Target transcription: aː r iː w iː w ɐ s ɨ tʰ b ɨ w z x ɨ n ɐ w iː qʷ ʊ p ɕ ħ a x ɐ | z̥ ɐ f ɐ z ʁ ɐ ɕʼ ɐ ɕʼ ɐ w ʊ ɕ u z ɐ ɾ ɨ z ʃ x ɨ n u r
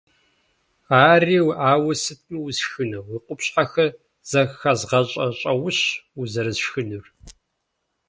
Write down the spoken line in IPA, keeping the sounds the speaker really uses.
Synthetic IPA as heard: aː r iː w aː w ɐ s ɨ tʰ m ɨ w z x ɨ n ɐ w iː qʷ ʊ p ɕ ħ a x ɐ | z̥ ɐ x ɐ z ʁ ɐ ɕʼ ɐ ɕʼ ɐ w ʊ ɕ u z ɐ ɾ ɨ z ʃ x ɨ n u r